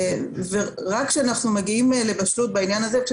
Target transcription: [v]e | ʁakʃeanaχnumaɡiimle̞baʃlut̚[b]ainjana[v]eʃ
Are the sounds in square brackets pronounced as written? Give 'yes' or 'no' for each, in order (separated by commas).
yes, yes, no